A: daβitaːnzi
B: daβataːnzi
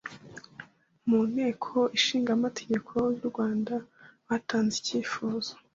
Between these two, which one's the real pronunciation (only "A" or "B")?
B